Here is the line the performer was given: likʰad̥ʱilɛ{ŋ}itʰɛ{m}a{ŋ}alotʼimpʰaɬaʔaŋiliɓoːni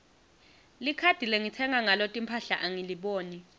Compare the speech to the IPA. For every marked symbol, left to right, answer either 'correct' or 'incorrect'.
correct, incorrect: ŋ, correct

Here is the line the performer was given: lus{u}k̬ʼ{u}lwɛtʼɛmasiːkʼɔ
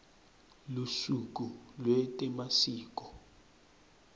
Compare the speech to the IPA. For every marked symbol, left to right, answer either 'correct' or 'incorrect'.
correct, correct

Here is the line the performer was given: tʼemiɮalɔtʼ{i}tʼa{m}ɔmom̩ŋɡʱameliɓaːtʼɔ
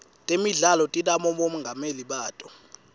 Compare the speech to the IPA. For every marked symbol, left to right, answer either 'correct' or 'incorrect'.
correct, correct

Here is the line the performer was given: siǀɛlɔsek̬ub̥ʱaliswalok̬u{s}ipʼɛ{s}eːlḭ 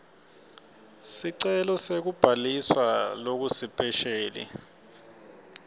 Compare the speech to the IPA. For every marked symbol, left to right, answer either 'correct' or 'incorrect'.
correct, incorrect: ʃ

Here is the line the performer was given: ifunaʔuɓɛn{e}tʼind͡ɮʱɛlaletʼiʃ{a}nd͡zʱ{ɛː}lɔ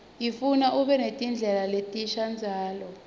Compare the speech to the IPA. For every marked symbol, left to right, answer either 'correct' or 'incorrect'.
correct, correct, incorrect: aː

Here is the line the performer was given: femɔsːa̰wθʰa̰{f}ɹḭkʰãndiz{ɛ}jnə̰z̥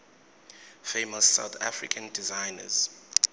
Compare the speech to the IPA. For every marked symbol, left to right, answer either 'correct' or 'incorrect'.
correct, incorrect: a

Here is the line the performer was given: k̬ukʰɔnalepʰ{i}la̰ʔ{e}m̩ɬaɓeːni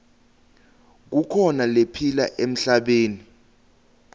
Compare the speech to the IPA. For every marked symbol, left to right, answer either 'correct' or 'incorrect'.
correct, correct

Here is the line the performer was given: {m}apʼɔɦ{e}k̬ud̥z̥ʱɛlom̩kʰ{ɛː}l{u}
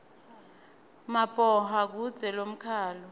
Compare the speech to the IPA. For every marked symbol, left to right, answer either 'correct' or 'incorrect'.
correct, incorrect: a, incorrect: aː, incorrect: ɔ

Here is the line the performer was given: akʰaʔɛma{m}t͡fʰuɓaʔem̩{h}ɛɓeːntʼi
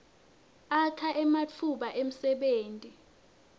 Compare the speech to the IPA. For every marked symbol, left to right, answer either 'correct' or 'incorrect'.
incorrect: none, incorrect: s

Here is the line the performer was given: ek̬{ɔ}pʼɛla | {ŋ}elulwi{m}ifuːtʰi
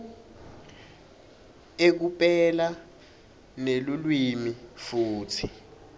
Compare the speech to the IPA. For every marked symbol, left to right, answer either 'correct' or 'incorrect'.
incorrect: u, incorrect: n, correct

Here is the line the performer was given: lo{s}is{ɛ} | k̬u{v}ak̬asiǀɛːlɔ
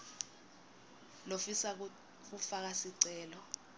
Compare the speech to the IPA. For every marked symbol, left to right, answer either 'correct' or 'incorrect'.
incorrect: f, incorrect: a, incorrect: f

